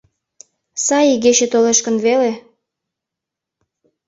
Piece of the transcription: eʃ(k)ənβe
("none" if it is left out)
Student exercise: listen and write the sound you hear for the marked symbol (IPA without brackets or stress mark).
k